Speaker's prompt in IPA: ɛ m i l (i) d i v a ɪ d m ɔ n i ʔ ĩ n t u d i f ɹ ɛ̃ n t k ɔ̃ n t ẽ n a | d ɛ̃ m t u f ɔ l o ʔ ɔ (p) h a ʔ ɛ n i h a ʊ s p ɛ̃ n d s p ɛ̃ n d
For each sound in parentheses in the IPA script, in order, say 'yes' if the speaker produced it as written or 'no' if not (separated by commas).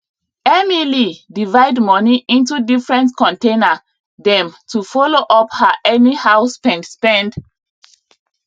yes, yes